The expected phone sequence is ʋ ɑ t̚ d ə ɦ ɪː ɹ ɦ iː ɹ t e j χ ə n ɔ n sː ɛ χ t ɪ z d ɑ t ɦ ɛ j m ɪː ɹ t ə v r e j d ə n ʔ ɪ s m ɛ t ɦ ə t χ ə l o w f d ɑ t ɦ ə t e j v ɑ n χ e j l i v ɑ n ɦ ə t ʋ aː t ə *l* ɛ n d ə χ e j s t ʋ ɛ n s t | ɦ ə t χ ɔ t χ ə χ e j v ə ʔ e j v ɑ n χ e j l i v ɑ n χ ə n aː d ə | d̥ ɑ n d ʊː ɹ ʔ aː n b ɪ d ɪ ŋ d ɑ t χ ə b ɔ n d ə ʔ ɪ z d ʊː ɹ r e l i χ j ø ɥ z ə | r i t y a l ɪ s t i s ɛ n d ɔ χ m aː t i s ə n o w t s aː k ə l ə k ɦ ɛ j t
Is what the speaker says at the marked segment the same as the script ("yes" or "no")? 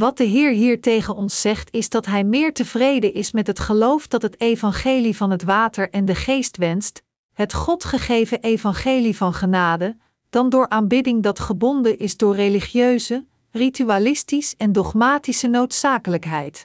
no